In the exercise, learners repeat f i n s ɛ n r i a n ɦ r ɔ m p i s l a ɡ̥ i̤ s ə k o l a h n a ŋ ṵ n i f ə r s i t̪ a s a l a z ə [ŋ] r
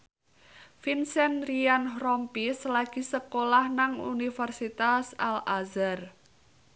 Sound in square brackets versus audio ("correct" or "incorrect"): incorrect